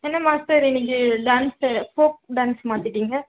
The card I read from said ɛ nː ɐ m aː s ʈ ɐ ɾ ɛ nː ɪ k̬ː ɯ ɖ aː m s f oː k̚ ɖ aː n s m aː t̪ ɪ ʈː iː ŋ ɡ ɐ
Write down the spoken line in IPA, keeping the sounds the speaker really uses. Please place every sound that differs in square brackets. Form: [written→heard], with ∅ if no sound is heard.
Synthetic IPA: ɛ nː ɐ m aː s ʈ ɐ ɾ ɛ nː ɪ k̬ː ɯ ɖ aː [m→n] s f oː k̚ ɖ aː n s m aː t̪ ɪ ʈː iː ŋ ɡ ɐ